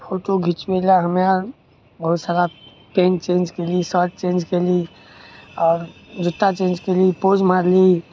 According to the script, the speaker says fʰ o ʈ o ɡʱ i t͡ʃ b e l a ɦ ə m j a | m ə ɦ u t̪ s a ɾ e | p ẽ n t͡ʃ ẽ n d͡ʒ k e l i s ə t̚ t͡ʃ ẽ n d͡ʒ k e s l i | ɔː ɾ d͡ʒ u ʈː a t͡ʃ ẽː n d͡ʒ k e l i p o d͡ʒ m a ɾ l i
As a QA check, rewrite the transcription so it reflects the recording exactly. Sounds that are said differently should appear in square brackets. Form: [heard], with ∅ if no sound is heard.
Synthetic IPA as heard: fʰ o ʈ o ɡʱ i t͡ʃ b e l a ɦ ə m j a | [b] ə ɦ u t̪ s a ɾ [a] | p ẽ n t͡ʃ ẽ n d͡ʒ k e l i s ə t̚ t͡ʃ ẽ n d͡ʒ k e [∅] l i | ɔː ɾ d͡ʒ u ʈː a t͡ʃ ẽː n d͡ʒ k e l i p o d͡ʒ m a ɾ l i